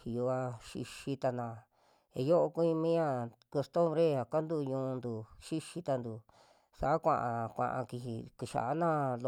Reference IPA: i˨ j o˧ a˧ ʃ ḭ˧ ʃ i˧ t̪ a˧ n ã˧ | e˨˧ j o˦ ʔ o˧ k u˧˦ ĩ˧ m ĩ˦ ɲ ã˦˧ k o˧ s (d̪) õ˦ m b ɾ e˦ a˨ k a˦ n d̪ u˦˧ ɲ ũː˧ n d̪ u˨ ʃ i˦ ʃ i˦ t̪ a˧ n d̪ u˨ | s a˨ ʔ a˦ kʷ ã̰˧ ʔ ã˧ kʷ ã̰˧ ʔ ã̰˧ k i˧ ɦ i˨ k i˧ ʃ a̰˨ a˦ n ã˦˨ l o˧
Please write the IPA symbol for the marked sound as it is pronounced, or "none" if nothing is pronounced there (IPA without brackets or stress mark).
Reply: t̪